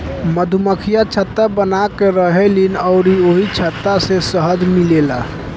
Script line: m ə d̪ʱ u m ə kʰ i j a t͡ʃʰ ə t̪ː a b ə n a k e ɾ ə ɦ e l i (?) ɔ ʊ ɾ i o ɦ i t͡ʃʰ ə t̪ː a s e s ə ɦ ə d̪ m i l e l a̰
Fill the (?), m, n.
n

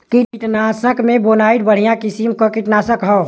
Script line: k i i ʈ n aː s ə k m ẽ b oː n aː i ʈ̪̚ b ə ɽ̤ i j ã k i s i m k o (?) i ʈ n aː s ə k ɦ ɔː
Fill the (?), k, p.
k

